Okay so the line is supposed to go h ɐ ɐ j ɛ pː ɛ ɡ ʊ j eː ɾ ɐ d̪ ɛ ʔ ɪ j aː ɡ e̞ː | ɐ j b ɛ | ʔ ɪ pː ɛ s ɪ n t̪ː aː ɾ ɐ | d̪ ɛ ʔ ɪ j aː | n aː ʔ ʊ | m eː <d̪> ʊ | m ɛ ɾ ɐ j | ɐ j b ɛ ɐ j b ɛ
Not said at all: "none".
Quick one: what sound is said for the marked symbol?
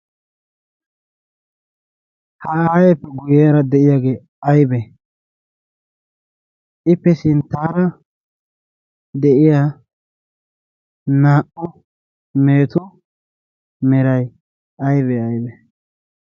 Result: t̪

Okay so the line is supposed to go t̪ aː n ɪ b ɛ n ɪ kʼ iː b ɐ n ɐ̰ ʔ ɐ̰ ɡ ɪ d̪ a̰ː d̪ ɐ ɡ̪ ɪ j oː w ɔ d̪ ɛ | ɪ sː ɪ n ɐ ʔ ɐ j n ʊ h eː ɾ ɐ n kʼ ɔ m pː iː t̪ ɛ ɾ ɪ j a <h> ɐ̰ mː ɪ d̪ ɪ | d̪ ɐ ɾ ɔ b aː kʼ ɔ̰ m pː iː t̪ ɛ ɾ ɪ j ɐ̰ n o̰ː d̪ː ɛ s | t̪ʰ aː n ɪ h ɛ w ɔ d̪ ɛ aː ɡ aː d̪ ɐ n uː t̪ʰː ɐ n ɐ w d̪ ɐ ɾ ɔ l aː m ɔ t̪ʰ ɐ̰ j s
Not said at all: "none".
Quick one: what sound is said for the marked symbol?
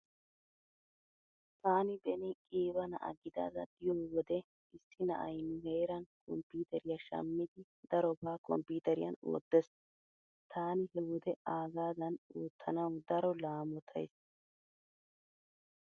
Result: ʃ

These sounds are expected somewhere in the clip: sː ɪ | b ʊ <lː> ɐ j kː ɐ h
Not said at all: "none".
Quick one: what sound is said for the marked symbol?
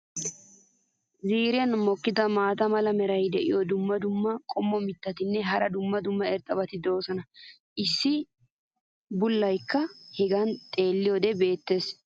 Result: lː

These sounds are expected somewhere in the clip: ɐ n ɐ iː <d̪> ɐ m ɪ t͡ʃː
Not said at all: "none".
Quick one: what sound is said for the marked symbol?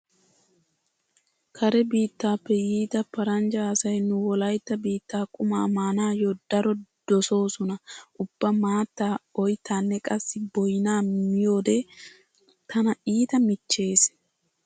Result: t̪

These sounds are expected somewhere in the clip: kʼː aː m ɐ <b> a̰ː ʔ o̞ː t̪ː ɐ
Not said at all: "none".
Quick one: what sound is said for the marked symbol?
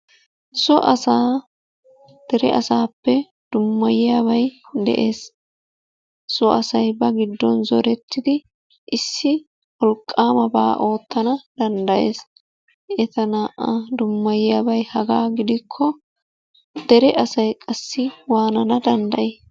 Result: b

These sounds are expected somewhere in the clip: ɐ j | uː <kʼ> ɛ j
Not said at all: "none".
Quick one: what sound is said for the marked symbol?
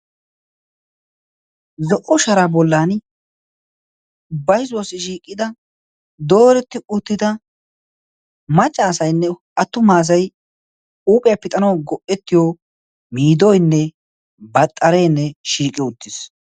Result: pʼ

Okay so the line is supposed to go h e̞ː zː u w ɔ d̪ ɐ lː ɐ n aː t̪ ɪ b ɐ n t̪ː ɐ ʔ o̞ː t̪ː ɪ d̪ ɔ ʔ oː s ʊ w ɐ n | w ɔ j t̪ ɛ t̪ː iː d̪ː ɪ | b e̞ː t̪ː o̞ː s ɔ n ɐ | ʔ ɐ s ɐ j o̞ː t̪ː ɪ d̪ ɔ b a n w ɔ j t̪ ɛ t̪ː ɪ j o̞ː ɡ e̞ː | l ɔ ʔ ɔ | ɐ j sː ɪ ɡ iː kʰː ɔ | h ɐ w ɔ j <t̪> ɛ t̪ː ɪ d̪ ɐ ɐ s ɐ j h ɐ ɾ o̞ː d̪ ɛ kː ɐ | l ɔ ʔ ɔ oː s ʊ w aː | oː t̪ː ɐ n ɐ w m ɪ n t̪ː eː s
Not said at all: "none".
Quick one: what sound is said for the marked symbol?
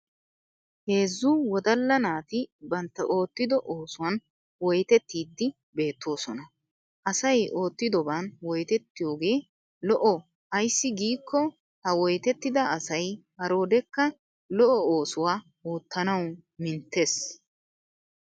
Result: t̪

